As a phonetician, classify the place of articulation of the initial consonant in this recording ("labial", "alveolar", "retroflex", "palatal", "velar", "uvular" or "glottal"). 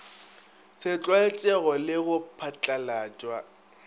alveolar